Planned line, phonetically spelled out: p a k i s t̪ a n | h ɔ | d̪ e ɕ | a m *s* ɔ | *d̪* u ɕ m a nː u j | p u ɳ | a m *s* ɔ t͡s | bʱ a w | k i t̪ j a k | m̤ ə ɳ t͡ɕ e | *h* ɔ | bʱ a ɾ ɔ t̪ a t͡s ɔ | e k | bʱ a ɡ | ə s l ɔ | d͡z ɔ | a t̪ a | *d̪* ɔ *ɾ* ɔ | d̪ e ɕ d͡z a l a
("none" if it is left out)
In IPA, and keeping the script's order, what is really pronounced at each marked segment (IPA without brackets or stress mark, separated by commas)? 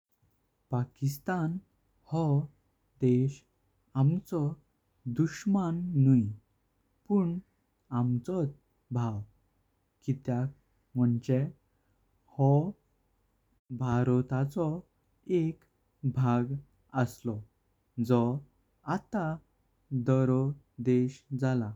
t͡s, d̪, t͡s, h, d̪, ɾ